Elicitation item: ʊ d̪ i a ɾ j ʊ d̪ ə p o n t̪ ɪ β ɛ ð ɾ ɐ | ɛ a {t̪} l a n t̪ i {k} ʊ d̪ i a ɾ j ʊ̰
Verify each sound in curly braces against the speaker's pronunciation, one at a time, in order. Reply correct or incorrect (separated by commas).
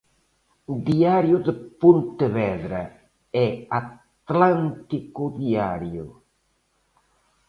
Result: correct, correct